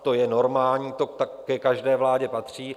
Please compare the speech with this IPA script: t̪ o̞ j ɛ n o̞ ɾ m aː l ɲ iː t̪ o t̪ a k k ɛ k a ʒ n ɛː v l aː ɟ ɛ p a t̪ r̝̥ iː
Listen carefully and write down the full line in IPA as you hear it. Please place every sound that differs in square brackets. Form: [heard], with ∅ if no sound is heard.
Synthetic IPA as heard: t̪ o̞ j ɛ n o̞ ɾ m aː l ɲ iː t̪ o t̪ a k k ɛ k a ʒ [d] ɛː v l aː ɟ ɛ p a t̪ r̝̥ iː